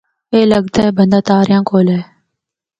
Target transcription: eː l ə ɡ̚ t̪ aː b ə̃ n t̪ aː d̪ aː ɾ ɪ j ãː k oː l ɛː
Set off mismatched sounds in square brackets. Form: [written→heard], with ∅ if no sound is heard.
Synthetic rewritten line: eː l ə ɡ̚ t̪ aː b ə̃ n [t̪→d̪] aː [d̪→t̪] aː ɾ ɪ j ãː k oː l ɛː